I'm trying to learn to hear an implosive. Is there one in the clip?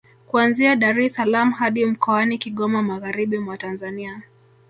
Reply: yes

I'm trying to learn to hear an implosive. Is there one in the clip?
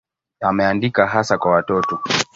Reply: no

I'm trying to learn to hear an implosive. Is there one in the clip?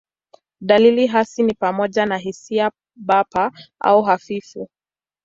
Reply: yes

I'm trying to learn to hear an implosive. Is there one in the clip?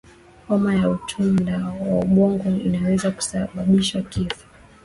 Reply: yes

